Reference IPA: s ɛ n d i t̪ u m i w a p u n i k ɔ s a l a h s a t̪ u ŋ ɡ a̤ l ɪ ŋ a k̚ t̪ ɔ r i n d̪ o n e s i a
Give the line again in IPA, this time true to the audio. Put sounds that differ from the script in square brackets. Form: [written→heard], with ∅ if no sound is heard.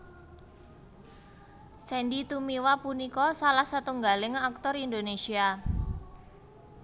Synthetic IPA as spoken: s ɛ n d i t̪ u m i w a p u n i k ɔ s a l a h s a t̪ u ŋ ɡ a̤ l ɪ ŋ a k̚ t̪ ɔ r i n d̪ o n e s i a